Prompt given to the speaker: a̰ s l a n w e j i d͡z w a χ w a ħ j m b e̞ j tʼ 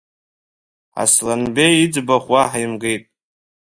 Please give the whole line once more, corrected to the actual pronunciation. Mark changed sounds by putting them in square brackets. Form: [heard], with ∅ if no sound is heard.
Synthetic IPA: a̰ s l a n [b] e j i d͡z [b] a χ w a ħ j m [ɡ] e̞ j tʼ